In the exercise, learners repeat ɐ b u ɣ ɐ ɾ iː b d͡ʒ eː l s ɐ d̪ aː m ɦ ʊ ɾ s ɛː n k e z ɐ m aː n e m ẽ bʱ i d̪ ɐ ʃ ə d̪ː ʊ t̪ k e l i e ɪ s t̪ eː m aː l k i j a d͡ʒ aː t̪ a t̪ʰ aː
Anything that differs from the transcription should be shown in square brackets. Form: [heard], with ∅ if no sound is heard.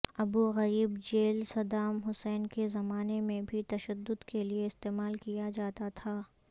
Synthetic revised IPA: ɐ b u ɣ ɐ ɾ iː b d͡ʒ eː l s ɐ d̪ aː m ɦ ʊ [∅] s ɛː n k e z ɐ m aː n e m ẽ bʱ i [t̪] ɐ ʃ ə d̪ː ʊ [d̪] k e l i e ɪ s t̪ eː m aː l k i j a d͡ʒ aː t̪ a t̪ʰ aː